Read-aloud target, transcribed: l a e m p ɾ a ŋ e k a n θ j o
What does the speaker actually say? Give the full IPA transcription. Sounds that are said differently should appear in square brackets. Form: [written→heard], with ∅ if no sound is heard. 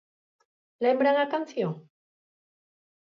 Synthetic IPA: l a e m [p→b] ɾ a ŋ [e→a] k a n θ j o